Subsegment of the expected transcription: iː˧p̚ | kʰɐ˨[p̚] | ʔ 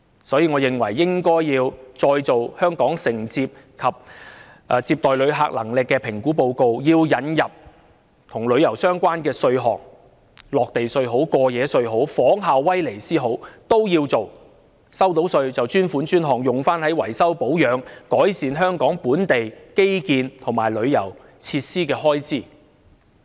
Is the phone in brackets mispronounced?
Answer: no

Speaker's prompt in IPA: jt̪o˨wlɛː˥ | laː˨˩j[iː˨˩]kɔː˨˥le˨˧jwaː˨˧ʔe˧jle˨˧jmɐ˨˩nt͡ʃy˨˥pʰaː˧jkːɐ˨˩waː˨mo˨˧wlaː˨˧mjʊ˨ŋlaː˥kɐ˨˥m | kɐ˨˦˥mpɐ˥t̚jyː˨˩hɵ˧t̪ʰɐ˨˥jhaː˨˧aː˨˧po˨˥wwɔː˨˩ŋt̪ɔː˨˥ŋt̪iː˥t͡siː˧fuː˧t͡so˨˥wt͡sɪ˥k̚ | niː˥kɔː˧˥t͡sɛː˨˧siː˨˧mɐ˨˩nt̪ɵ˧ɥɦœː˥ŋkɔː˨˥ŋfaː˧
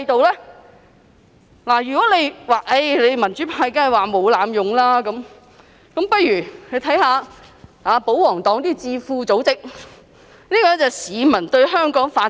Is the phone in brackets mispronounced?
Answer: yes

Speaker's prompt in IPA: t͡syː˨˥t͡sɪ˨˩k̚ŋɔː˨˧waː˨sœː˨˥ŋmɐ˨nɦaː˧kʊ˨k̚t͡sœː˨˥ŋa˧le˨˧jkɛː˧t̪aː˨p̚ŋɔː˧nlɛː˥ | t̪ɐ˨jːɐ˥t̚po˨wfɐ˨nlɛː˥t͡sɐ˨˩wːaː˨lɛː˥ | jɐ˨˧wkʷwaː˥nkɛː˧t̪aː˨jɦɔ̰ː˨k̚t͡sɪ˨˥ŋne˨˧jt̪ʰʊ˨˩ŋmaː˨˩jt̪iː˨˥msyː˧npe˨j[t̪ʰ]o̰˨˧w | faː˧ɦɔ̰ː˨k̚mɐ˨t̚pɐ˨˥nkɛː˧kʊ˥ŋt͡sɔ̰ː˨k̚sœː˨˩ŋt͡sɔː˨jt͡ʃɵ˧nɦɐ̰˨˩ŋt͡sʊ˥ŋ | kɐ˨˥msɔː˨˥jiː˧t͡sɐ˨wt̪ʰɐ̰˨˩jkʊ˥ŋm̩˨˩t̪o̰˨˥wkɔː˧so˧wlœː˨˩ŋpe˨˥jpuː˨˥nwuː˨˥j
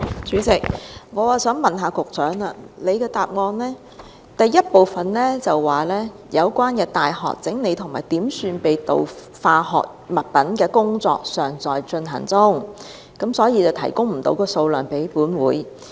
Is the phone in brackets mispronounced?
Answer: yes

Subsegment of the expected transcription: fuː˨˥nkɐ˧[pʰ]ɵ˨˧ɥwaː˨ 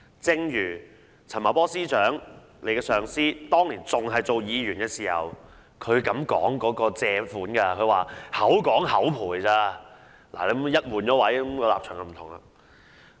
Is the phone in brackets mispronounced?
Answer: yes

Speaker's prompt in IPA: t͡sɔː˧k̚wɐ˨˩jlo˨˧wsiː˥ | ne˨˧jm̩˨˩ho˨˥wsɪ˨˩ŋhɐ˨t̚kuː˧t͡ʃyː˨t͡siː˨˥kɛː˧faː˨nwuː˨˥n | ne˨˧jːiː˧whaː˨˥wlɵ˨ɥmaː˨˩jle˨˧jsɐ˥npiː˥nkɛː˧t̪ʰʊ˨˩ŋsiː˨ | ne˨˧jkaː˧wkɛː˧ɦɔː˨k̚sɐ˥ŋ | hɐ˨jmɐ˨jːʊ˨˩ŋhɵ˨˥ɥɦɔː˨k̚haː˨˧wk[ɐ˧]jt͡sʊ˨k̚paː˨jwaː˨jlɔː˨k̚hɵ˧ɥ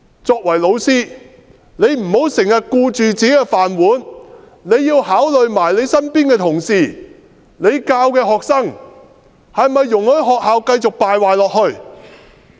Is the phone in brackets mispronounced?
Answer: no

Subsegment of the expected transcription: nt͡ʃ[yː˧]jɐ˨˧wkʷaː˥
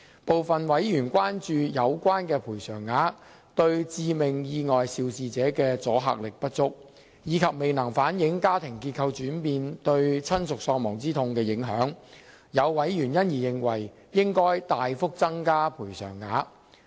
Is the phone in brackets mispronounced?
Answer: no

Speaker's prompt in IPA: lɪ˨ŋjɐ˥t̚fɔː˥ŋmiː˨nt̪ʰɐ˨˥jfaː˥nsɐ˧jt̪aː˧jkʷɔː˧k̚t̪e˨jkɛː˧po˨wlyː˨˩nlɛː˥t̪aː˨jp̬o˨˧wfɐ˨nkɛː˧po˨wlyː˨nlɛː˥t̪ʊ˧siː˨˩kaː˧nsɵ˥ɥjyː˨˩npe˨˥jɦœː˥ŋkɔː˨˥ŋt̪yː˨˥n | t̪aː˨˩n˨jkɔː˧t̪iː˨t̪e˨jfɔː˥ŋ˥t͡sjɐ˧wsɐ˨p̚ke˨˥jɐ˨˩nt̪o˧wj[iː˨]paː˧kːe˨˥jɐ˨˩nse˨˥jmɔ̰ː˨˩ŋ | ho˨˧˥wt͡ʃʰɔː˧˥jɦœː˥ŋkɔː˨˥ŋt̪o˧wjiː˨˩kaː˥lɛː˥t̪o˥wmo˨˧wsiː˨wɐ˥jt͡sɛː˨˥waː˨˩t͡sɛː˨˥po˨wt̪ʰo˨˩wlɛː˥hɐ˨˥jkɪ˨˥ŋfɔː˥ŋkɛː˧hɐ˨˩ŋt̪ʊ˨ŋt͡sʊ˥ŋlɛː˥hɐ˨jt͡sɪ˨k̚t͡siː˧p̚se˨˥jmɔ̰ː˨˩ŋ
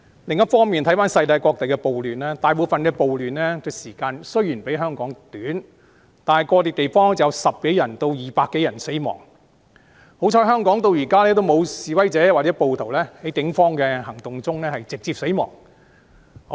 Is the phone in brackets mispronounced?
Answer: no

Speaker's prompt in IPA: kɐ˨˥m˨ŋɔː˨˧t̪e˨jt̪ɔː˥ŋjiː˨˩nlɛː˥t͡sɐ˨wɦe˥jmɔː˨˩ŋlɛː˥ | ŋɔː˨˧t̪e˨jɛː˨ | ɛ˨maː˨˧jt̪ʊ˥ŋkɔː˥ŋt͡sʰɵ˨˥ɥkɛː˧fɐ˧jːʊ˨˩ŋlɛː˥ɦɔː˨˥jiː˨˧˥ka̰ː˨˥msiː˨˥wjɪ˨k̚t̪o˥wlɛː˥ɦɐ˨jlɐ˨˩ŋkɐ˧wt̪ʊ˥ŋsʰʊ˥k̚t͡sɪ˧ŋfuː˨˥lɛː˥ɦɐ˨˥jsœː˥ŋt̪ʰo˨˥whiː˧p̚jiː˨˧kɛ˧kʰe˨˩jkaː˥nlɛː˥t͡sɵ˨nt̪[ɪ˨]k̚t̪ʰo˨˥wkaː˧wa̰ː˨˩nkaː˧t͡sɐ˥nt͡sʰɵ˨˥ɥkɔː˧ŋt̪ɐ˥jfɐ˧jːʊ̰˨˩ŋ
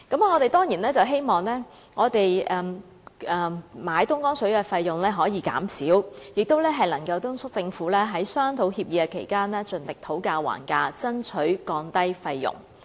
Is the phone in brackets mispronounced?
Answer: no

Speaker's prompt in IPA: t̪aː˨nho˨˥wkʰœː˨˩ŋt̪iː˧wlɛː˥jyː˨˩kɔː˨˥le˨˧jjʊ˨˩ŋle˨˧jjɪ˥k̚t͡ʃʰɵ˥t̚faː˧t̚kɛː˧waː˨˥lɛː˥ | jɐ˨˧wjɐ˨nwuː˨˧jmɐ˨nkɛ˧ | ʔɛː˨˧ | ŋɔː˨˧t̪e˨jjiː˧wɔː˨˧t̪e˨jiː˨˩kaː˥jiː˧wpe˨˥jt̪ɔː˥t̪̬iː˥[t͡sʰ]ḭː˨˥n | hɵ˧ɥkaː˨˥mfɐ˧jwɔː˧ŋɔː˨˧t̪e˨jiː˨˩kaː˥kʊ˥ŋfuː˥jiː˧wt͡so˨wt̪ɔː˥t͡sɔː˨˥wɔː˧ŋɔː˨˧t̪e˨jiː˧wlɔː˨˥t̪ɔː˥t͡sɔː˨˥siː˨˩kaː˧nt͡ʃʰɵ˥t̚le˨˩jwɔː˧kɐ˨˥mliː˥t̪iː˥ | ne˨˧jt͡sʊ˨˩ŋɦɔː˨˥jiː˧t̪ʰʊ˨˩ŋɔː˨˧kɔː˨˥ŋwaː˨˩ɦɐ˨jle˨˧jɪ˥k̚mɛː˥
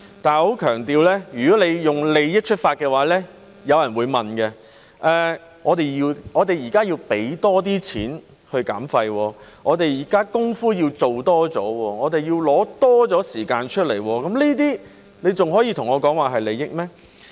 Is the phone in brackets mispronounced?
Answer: no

